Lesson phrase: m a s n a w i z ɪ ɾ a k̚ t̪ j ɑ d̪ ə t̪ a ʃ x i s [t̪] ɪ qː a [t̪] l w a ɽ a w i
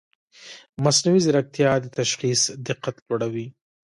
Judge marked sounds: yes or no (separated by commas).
no, yes